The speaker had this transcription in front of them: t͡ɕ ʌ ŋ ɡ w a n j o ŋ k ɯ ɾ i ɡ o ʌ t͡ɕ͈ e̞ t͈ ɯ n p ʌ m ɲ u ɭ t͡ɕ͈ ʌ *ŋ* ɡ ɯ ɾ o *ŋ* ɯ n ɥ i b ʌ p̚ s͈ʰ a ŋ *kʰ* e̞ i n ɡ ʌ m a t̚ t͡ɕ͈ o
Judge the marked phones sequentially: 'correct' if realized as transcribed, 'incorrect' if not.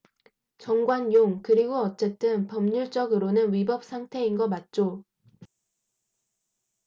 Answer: incorrect, incorrect, incorrect

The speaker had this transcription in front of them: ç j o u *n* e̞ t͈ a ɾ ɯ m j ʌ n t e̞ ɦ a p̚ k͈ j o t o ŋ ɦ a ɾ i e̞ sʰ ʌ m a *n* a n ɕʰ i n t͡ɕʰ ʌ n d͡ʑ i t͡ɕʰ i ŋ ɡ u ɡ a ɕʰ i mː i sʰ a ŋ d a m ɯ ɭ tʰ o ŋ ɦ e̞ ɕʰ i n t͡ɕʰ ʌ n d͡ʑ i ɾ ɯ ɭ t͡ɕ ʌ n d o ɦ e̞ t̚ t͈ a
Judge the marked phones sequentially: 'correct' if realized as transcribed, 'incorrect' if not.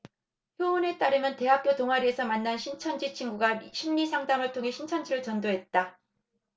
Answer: correct, incorrect

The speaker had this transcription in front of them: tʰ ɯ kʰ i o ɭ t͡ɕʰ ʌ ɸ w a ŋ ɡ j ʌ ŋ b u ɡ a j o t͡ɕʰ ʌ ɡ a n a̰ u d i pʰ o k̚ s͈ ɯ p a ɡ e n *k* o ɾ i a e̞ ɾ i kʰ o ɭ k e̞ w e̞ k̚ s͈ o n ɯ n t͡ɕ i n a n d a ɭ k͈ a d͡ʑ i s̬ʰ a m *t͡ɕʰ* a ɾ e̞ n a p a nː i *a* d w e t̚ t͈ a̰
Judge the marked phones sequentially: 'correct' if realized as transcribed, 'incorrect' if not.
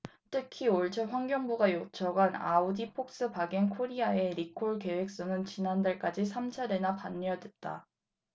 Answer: incorrect, correct, incorrect

